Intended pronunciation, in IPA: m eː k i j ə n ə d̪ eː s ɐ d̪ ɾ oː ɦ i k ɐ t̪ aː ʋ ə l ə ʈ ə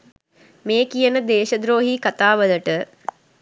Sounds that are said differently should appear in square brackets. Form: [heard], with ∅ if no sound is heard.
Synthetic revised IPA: m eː k i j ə n ə d̪ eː [ʃ] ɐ d̪ ɾ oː ɦ i k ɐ t̪ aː ʋ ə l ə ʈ ə